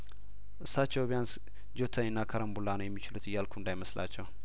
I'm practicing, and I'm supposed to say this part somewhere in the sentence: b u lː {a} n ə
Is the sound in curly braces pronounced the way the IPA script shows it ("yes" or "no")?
yes